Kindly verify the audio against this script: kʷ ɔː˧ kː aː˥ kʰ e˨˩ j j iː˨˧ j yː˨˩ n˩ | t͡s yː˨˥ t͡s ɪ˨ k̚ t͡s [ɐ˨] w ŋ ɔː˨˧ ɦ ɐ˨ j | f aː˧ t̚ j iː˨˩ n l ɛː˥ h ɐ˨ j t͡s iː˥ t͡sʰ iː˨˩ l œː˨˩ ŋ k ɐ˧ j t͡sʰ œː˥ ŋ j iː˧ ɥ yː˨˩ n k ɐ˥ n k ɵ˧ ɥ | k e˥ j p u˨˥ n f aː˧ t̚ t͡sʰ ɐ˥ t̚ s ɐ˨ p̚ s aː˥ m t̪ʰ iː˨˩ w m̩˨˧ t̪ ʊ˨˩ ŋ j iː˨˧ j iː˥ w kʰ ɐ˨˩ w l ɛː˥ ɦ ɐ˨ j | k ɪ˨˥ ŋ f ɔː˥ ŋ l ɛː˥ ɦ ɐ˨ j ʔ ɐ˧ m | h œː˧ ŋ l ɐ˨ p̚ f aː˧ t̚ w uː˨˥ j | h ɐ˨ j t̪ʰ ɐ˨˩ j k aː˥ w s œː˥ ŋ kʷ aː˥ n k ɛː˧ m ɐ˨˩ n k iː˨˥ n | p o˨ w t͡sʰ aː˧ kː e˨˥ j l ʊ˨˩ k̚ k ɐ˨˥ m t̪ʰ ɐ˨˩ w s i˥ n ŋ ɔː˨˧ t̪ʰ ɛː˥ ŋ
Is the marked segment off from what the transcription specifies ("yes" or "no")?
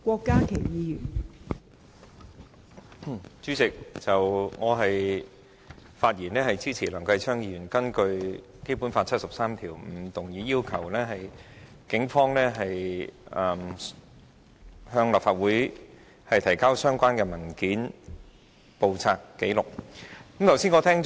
no